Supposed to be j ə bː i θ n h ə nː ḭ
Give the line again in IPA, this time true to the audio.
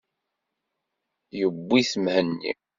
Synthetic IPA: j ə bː i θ m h ə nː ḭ